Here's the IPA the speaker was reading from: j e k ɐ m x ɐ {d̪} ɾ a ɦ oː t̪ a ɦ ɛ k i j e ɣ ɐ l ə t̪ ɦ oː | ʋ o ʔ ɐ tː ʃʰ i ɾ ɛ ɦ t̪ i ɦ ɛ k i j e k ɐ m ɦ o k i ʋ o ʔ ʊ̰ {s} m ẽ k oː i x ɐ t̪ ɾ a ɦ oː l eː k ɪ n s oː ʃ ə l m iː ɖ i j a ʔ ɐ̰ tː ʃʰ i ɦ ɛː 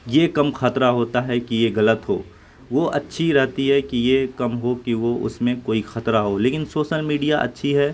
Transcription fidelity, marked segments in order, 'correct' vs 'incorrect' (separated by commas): incorrect, correct